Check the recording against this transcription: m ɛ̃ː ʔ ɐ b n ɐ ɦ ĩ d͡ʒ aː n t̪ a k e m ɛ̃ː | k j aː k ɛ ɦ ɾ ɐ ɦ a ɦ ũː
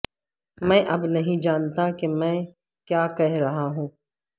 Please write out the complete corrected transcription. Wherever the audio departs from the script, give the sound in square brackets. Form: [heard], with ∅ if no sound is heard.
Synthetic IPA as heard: m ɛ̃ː ʔ ɐ b n ɐ ɦ ĩ d͡ʒ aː n t̪ a k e m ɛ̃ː | k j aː k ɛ ɦ ɾ ɐ ɦ a ɦ ũː

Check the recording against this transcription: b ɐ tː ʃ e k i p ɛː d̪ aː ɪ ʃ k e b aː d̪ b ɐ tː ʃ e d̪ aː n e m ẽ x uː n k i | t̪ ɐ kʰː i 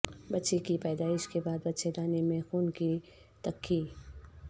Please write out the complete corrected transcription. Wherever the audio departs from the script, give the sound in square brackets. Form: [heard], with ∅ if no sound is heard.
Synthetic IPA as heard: b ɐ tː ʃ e k i p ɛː d̪ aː ɪ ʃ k e b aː d̪ b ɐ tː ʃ e d̪ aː n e m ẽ x uː n k i | t̪ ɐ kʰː i

